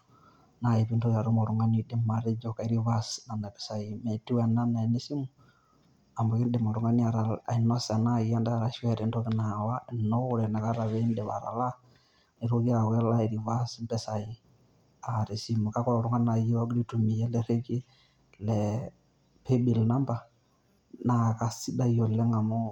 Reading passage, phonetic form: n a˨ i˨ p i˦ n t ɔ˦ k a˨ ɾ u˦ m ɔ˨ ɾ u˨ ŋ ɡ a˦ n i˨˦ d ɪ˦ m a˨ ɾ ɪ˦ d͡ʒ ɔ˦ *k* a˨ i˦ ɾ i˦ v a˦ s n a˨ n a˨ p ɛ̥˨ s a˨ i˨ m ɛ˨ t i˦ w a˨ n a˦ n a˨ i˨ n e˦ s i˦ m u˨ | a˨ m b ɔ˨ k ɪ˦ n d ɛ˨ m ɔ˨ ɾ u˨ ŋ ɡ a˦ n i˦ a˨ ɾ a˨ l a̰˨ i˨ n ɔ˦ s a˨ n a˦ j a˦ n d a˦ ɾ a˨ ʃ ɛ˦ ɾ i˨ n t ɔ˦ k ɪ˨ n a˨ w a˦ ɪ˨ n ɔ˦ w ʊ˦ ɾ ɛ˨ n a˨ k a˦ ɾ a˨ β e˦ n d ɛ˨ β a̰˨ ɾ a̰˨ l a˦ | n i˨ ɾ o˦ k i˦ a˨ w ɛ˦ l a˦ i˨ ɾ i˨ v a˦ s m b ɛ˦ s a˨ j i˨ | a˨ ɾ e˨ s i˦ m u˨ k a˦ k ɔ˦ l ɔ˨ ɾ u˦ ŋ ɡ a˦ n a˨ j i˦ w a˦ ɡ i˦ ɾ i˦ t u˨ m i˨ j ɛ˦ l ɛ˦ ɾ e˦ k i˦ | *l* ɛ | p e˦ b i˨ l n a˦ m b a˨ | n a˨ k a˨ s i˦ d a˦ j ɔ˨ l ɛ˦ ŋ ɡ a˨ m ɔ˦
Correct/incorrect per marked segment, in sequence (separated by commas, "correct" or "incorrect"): correct, correct